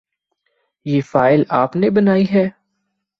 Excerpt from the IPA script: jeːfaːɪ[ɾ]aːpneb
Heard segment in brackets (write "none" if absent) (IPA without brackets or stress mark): l